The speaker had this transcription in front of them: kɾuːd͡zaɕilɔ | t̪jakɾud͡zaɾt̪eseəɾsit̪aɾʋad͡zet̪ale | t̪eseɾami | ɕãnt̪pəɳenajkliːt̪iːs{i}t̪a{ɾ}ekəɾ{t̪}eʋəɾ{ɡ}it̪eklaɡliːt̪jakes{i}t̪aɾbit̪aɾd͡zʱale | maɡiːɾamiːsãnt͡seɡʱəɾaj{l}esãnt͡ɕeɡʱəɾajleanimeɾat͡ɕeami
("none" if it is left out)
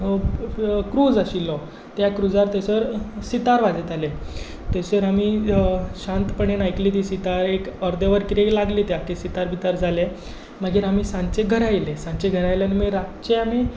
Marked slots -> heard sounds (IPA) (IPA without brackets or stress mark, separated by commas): i, ɾ, d̪, k, i, l